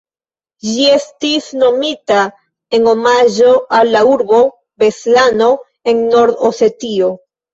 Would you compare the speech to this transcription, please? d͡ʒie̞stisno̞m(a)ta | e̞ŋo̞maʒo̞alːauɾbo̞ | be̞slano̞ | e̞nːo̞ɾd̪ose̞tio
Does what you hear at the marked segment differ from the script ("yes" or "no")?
yes